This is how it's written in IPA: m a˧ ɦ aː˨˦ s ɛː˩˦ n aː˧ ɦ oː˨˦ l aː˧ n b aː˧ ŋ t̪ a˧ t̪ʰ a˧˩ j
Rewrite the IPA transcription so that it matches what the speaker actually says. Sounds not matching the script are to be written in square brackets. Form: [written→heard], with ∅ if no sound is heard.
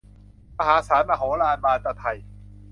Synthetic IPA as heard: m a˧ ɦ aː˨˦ s [ɛː˩˦→aː˩˦] n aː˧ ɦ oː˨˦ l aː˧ n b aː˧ [ŋ→n] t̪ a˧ t̪ʰ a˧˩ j